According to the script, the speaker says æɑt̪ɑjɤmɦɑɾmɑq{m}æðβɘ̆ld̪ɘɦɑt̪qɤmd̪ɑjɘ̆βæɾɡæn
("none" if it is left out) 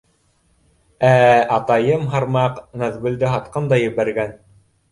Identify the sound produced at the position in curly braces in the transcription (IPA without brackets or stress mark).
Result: n